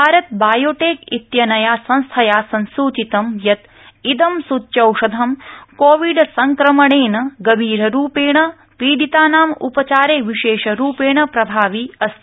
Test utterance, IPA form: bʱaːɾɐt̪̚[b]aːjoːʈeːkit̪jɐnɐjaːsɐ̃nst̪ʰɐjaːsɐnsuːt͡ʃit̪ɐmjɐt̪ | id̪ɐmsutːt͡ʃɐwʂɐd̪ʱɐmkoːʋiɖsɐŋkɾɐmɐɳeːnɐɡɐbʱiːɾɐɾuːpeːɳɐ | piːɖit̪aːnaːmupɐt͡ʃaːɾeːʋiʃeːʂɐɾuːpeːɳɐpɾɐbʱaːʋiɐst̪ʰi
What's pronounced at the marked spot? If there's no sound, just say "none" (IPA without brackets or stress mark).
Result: b